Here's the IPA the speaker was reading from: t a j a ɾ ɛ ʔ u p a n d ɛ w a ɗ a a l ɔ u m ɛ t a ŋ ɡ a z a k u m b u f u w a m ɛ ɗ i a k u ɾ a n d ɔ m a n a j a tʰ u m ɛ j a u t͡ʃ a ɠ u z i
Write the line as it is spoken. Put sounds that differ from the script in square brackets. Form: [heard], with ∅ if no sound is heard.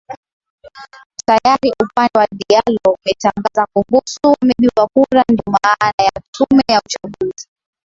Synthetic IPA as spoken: t a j a ɾ [i] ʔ u p a n d ɛ w a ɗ [i] a l ɔ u m ɛ t a ŋ ɡ a z a k u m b u [s] u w a m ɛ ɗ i a k u ɾ a n d ɔ m a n a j a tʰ u m ɛ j a u t͡ʃ a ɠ u z i